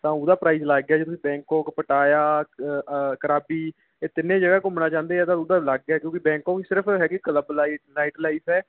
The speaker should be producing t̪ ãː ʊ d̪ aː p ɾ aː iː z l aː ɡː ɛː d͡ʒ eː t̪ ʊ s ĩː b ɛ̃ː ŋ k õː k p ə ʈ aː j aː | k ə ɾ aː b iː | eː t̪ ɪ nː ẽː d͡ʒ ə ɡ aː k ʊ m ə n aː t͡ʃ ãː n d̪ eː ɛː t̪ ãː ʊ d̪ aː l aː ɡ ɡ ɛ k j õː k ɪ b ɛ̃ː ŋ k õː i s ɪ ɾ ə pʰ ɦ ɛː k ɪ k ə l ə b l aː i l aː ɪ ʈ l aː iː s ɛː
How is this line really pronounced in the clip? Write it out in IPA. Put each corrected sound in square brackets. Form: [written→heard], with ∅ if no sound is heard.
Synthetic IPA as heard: t̪ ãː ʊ d̪ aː p ɾ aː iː z l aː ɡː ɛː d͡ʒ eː t̪ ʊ s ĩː b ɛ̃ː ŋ k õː k p ə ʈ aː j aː | k ə ɾ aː b iː | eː t̪ ɪ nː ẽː d͡ʒ ə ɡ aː k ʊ m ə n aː t͡ʃ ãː n d̪ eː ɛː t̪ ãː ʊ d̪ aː l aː ɡ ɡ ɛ k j õː k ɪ b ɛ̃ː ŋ k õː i s ɪ ɾ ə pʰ ɦ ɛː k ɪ k ə l ə b l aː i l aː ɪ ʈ l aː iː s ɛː